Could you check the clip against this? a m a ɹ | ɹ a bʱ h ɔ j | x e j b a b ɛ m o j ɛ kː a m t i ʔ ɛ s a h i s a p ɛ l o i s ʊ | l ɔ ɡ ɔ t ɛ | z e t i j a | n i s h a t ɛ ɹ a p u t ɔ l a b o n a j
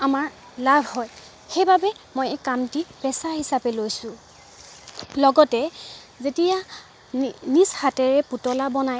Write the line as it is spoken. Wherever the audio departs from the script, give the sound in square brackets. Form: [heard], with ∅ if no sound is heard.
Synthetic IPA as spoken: a m a ɹ | [l] a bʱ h ɔ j | x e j b a b ɛ m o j ɛ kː a m t i [p] ɛ s a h i s a p ɛ l o [j] s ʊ | l ɔ ɡ ɔ t ɛ | z e t i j a | n i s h a t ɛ ɹ [ɛ] p u t ɔ l a b [ɔ] n a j